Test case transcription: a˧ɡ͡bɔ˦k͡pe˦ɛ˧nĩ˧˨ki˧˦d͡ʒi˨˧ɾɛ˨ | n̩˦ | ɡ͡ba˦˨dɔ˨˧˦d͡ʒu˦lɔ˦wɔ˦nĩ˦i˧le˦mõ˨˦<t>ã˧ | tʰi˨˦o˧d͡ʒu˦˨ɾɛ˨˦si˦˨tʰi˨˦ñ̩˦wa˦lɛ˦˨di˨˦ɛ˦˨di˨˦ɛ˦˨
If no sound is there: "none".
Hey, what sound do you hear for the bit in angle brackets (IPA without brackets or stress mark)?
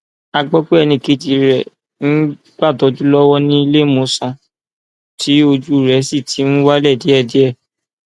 s